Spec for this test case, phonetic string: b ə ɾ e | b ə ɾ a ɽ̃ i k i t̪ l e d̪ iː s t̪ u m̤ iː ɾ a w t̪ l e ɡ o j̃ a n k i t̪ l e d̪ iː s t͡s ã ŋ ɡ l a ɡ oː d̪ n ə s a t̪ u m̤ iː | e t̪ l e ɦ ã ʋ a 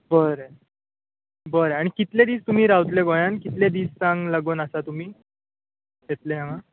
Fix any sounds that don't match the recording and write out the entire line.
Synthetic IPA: b ə ɾ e | b ə ɾ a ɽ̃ i k i t̪ l e d̪ iː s t̪ u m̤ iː ɾ a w t̪ l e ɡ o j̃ a n k i t̪ l e d̪ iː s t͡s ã ŋ ɡ l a ɡ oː n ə s a t̪ u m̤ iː | e t̪ l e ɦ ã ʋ a

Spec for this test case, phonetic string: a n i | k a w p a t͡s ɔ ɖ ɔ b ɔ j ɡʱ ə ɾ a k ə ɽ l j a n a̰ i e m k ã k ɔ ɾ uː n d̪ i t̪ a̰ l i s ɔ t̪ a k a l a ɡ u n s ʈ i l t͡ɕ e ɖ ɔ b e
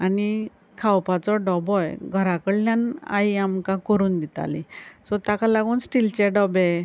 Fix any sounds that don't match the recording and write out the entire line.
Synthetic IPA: a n i | kʰ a w p a t͡s ɔ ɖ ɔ b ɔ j ɡʱ ə ɾ a k ə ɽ l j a n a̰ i a m k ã k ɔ ɾ uː n d̪ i t̪ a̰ l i s ɔ t̪ a k a l a ɡ uː n s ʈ i l t͡ɕ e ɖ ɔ b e

